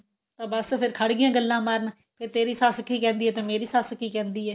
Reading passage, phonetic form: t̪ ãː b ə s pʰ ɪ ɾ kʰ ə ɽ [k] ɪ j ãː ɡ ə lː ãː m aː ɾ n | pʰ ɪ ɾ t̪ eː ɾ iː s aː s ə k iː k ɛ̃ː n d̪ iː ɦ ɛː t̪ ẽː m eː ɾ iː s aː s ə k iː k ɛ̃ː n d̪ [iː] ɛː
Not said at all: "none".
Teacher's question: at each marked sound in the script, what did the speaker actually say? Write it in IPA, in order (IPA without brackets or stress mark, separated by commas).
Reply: ɡ, iː